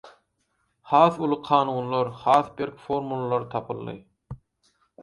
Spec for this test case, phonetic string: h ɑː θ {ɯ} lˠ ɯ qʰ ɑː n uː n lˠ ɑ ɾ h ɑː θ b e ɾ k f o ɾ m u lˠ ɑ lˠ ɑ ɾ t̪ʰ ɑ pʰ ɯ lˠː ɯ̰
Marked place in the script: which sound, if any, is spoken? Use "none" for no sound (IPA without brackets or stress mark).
u